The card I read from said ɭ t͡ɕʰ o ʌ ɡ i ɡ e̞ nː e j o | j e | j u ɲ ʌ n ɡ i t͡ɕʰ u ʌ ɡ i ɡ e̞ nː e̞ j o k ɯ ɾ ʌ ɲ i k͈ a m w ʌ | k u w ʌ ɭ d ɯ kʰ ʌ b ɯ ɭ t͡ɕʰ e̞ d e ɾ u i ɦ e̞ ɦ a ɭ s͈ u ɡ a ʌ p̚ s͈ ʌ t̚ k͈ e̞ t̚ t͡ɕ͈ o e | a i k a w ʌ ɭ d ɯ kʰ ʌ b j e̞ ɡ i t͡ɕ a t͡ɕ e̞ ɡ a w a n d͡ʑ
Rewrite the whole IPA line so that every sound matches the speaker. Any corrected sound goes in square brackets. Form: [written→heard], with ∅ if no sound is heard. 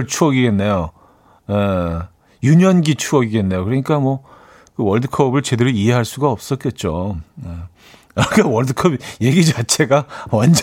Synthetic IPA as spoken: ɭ t͡ɕʰ [o→u] ʌ ɡ i ɡ e̞ nː e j o | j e | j u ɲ ʌ n ɡ i t͡ɕʰ u ʌ ɡ i ɡ e̞ nː e̞ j o k ɯ ɾ ʌ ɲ i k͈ a m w ʌ | k [u→ɯ] w ʌ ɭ d ɯ kʰ ʌ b ɯ ɭ [t͡ɕʰ→t͡ɕ] e̞ d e ɾ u i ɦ e̞ ɦ a ɭ s͈ u ɡ a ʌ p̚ s͈ ʌ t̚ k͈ e̞ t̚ t͡ɕ͈ o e | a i k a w ʌ ɭ d ɯ kʰ ʌ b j e̞ ɡ i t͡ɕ a [t͡ɕ→t͡ɕʰ] e̞ ɡ a w a n d͡ʑ